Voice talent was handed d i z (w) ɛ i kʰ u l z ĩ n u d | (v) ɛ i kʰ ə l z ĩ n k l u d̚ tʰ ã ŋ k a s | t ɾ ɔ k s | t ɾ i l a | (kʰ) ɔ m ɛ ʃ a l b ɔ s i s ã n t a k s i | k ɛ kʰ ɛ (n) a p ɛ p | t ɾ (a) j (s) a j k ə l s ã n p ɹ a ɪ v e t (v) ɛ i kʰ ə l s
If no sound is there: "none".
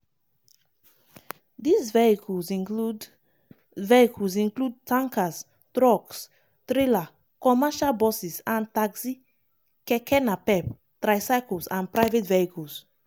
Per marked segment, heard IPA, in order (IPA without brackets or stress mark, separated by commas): v, v, k, n, a, s, v